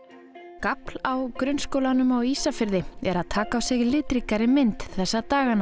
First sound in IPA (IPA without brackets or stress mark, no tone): k